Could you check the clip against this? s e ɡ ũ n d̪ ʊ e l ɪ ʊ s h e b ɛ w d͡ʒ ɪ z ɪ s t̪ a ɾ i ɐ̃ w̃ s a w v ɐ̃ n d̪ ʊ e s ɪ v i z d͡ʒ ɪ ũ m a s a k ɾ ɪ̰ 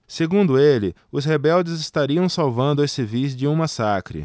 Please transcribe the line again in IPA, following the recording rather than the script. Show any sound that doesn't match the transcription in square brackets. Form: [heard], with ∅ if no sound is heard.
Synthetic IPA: s e ɡ ũ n d̪ ʊ e l ɪ ʊ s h e b ɛ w d͡ʒ ɪ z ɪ s t̪ a ɾ i ɐ̃ w̃ s a w v ɐ̃ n d̪ ʊ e s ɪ v i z d͡ʒ ɪ ũ m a s a k ɾ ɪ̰